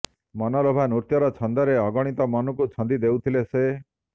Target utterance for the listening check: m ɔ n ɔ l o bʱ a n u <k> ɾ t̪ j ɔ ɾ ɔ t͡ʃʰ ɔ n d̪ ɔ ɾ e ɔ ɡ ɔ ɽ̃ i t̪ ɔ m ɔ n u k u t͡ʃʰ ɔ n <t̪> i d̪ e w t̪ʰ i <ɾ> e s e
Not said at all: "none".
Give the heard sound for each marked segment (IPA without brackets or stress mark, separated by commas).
none, d̪, l